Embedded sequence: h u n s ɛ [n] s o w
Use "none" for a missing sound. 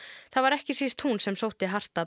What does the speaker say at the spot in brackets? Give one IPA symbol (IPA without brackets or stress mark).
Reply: m